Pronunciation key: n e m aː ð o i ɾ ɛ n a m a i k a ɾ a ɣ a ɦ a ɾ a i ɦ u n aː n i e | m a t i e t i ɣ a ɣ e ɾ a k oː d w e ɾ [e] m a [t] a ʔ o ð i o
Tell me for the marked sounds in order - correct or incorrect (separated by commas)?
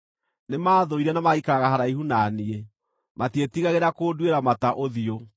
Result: incorrect, correct